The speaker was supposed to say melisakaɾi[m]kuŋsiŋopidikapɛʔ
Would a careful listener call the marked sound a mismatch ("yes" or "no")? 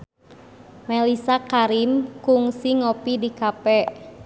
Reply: no